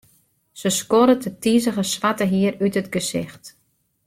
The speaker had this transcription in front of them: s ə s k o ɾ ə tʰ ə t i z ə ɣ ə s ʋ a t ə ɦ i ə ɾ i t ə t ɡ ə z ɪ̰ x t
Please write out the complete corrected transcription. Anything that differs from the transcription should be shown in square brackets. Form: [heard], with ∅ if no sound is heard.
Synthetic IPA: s ə s k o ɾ ə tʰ ə t i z ə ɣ ə s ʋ a t ə ɦ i ə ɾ [y] t ə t ɡ ə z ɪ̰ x t

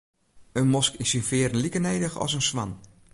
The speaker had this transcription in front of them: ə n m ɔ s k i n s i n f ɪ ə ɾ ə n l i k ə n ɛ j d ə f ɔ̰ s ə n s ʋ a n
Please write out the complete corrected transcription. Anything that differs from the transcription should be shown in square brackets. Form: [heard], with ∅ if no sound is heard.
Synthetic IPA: ə n m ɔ s k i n s i n f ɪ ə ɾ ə n l i k ə n [e] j d ə [x] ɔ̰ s ə n s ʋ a n

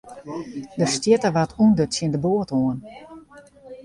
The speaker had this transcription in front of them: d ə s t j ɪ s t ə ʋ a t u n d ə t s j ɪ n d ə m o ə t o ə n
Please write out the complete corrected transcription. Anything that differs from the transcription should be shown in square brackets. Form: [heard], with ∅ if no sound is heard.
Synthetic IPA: d ə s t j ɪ [∅] t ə ʋ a t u n d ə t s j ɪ n d ə [b] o ə t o ə n

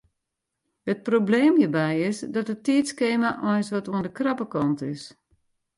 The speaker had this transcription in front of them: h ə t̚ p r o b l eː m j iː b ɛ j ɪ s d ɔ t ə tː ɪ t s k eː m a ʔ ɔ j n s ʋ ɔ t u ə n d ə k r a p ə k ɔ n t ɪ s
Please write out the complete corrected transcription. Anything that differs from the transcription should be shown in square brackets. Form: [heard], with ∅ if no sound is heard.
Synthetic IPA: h ə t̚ p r o b l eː m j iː b ɛ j ɪ s d ɔ t ə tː [i] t s k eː m a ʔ ɔ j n s ʋ ɔ t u ə n d ə k r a p ə k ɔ n t ɪ s

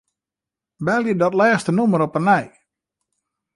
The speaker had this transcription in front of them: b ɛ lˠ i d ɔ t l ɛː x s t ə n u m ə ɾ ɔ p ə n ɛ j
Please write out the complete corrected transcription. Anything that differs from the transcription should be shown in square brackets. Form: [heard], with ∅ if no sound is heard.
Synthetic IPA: b ɛ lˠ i d ɔ t l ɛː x s t ə n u m ə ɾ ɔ p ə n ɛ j

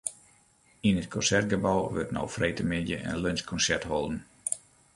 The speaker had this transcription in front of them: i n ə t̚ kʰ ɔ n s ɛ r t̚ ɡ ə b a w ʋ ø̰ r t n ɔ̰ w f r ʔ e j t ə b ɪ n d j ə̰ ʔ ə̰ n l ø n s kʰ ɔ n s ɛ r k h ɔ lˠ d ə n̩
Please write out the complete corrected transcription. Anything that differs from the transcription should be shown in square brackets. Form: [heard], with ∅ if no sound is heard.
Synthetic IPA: i n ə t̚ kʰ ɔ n s ɛ r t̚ ɡ ə b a w ʋ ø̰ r t n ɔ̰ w f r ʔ e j t ə [m] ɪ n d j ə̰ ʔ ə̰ n l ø n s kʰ ɔ n s ɛ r [t] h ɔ lˠ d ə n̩

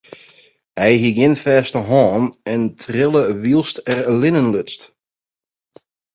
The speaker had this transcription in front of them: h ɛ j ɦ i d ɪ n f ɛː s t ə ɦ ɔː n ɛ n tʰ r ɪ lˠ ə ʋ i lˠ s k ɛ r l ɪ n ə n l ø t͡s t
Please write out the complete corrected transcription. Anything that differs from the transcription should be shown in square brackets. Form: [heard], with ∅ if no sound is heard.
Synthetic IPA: h ɛ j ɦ i [ɡ] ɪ n f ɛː s t ə ɦ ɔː n ɛ n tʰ r ɪ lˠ ə ʋ i lˠ s [t] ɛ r l ɪ n ə n l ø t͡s t

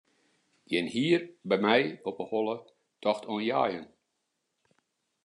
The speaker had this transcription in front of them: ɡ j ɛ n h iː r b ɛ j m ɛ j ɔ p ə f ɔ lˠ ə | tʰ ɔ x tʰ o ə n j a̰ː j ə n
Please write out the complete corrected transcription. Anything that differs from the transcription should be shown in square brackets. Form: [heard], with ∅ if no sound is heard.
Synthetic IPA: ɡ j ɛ n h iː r b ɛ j m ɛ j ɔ p ə [h] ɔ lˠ ə | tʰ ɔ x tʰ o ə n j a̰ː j ə n

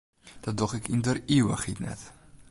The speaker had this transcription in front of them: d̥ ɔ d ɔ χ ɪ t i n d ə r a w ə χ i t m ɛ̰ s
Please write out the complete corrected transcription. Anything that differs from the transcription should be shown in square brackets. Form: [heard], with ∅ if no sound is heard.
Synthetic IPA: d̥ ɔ d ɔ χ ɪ [k] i n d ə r [i] w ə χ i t [n] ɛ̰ [t]

